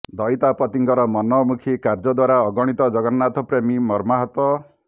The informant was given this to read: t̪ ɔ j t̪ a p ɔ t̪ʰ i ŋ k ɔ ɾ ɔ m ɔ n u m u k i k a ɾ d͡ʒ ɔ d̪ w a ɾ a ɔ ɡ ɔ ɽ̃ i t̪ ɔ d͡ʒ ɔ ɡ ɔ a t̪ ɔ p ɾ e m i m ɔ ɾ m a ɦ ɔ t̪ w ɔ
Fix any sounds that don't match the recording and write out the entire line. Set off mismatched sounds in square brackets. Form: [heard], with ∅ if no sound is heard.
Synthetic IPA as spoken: [d̪] ɔ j t̪ a p ɔ [t̪] i ŋ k ɔ ɾ ɔ m ɔ n [ɔ] m u [kʰ] i k a ɾ d͡ʒ ɔ d̪ w a ɾ a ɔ ɡ ɔ ɽ̃ i t̪ ɔ d͡ʒ ɔ ɡ ɔ a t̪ ɔ p ɾ e m i m ɔ ɾ m a ɦ ɔ t̪ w ɔ